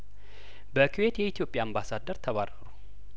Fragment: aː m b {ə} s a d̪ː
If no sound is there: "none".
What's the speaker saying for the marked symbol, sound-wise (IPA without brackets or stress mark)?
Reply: a